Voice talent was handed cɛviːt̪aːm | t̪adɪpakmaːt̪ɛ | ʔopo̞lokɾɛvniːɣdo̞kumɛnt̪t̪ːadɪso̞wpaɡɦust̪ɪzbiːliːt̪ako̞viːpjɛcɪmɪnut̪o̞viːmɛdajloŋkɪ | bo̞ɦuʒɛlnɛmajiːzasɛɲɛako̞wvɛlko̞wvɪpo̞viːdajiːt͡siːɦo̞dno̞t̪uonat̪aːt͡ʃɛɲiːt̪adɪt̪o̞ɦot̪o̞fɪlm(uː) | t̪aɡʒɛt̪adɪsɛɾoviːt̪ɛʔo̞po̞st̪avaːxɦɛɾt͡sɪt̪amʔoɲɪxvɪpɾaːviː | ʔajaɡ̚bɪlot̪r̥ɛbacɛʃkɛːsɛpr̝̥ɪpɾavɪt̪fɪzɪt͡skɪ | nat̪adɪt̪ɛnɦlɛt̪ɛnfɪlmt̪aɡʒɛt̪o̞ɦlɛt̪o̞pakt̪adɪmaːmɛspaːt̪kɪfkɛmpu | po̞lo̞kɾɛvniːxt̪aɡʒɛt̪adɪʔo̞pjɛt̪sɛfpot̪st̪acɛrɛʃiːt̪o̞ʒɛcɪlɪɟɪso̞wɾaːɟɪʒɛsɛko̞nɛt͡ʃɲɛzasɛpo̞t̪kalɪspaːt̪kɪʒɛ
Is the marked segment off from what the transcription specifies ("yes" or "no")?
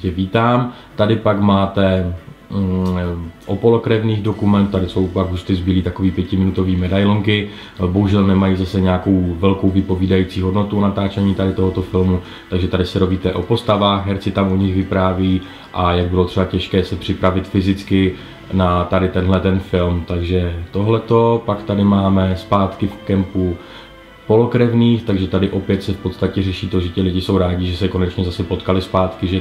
yes